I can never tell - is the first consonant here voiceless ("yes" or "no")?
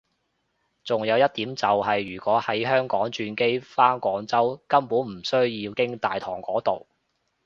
yes